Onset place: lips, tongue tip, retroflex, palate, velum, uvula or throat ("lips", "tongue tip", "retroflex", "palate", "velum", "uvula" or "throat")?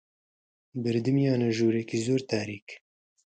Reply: lips